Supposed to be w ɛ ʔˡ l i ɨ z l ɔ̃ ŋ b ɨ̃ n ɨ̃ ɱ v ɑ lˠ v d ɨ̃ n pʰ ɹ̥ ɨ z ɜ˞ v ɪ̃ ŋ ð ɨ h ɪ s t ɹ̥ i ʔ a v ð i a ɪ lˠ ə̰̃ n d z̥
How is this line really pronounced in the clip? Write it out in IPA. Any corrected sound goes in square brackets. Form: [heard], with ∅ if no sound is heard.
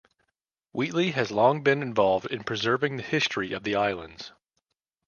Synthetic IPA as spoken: w [i] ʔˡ l i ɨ z l ɔ̃ ŋ b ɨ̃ n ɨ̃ ɱ v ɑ lˠ v d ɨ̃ n pʰ ɹ̥ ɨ z ɜ˞ v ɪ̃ ŋ ð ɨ h ɪ s t ɹ̥ i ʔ [ʌ] v ð i a ɪ lˠ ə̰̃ n d z̥